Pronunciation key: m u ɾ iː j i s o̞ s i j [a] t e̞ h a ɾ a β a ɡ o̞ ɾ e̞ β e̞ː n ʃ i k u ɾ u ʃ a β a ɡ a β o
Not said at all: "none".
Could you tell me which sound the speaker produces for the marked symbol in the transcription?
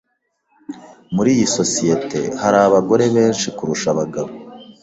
e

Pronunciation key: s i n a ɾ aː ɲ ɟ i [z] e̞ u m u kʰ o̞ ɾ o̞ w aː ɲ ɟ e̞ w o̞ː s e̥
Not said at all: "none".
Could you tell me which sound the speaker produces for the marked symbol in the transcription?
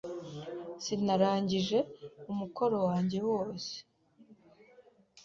ʒ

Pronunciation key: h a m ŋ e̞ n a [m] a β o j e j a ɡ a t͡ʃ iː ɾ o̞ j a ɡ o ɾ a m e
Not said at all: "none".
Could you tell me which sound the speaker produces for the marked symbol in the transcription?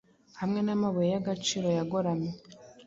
m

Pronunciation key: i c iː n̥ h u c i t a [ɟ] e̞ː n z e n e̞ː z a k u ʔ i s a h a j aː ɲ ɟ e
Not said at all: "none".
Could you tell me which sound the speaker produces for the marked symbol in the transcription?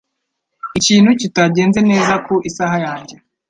ɟ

